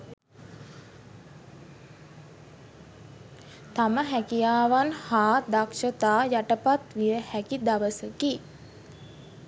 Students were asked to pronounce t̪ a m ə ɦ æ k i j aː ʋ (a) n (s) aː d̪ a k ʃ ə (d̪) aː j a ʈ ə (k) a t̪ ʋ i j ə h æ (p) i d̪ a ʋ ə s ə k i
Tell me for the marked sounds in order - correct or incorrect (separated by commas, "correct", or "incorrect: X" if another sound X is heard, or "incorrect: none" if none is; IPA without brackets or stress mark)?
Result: correct, incorrect: h, incorrect: t̪, incorrect: p, incorrect: k